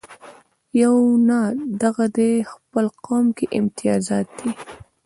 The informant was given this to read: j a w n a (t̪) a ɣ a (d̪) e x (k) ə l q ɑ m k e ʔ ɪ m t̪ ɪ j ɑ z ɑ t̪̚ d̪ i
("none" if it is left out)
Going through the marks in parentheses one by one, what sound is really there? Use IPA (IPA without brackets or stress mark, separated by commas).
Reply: d̪, d̪, p